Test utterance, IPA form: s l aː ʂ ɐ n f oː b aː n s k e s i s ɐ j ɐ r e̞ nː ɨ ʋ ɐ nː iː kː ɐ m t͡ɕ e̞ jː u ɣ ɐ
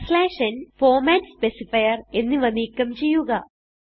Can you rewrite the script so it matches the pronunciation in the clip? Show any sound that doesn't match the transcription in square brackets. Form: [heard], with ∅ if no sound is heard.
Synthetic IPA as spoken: s l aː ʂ ɐ n f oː [m] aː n s [p] e s i [f] ɐ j ɐ r e̞ nː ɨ ʋ ɐ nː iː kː ɐ m t͡ɕ e̞ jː u ɣ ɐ